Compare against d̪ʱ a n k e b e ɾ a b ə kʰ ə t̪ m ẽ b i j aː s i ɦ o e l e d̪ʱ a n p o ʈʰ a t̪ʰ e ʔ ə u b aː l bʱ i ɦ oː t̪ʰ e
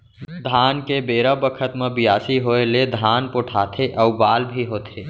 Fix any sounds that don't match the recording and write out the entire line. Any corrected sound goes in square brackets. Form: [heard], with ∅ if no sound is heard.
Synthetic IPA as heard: d̪ʱ a n k e b e ɾ [ə] b ə kʰ ə t̪ m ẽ b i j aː s i ɦ o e l e d̪ʱ a n p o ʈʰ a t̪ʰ e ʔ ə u b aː l bʱ i ɦ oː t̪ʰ e